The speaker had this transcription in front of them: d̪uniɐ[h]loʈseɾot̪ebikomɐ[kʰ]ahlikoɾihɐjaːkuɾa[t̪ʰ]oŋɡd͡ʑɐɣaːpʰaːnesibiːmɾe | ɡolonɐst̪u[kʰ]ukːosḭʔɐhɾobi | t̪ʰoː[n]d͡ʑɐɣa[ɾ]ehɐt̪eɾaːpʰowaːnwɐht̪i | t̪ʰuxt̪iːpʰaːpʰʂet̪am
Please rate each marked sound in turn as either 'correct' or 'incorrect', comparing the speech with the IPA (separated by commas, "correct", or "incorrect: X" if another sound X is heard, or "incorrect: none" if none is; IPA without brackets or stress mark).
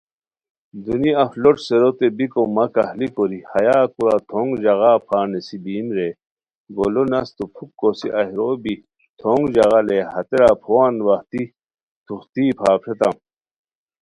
incorrect: f, incorrect: k, correct, incorrect: pʰ, incorrect: ŋ, incorrect: l